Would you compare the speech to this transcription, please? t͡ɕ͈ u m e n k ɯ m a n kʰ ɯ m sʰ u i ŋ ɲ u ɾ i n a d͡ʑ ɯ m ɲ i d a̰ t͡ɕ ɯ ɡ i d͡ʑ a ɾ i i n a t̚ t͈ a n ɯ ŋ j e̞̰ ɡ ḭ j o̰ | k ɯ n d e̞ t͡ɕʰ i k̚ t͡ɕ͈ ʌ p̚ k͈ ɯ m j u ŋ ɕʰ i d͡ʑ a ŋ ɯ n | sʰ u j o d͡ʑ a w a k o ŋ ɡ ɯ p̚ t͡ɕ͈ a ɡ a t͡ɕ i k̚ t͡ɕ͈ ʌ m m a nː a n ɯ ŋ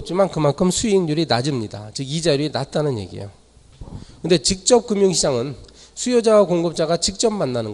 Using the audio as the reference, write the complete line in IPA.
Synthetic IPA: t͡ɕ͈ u m a n k ɯ m a n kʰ ɯ m sʰ u i ŋ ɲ u ɾ i n a d͡ʑ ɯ m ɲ i d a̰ t͡ɕ ɯ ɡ i d͡ʑ a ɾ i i n a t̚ t͈ a n ɯ n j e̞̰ ɡ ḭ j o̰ | k ɯ n d e̞ t͡ɕ i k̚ t͡ɕ͈ ʌ p̚ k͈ ɯ m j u ŋ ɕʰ i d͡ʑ a ŋ ɯ n | sʰ u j o d͡ʑ a w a k o ŋ ɡ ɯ p̚ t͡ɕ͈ a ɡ a t͡ɕ i k̚ t͡ɕ͈ ʌ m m a nː a n ɯ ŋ